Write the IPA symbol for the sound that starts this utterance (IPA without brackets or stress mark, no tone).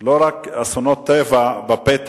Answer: l